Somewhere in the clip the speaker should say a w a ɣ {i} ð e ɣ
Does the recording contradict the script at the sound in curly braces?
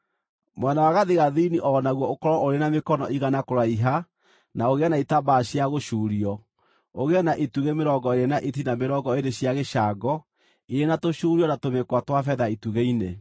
yes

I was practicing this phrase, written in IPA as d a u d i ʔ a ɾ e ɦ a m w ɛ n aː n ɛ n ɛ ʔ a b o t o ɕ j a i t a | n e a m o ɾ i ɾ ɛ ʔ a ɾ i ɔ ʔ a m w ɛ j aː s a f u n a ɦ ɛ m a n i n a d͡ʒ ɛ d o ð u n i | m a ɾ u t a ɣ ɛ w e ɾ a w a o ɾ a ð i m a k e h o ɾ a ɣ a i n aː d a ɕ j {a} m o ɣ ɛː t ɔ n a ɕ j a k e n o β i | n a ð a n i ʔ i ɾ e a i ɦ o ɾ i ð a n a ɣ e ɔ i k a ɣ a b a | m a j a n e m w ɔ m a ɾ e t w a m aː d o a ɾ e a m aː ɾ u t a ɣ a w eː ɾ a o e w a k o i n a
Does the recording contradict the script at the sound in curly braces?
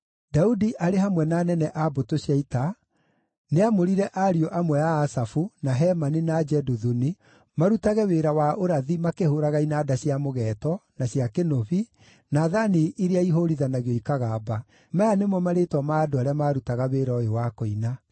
no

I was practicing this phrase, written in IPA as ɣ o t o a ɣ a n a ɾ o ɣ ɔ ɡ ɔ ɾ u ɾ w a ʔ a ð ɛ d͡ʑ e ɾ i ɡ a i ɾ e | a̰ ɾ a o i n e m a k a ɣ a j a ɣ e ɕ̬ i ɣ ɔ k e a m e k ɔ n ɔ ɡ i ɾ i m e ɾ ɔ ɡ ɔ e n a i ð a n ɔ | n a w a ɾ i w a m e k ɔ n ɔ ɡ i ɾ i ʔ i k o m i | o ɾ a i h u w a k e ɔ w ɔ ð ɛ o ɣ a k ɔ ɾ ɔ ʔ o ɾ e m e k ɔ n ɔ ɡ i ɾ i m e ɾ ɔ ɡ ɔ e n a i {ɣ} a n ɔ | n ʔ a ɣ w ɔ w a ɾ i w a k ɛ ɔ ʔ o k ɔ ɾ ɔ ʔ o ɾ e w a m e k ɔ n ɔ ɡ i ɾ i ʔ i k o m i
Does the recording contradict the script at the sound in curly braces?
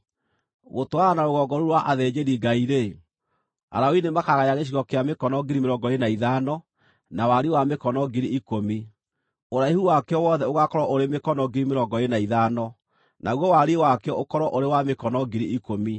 yes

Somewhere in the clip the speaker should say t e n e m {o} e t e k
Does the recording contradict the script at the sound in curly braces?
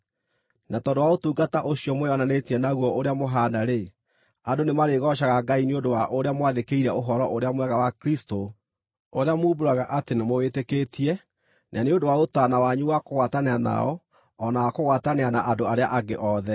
no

